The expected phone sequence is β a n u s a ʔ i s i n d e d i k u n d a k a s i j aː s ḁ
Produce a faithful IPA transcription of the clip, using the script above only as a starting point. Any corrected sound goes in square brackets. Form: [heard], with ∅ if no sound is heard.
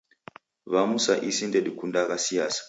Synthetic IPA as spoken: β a [m] u s a ʔ i s i n d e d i k u n d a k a s i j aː s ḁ